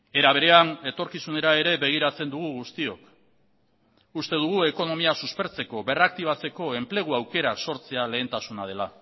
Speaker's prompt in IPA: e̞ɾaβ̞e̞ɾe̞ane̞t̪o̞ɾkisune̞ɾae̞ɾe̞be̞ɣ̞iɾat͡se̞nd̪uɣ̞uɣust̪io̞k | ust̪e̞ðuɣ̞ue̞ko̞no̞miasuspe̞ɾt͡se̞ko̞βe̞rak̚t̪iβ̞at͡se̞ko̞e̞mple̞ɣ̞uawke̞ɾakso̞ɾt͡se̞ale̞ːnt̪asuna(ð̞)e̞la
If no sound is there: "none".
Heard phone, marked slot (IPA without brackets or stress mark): ð̞